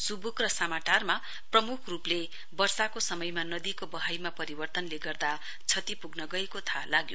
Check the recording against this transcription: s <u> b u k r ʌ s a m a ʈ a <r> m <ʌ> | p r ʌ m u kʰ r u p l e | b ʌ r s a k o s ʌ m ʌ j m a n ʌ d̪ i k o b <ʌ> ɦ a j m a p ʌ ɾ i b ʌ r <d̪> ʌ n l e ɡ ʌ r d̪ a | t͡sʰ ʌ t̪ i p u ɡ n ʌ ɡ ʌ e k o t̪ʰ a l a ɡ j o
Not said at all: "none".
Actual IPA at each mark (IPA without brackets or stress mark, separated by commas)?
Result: u, r, a, ʌ, t̪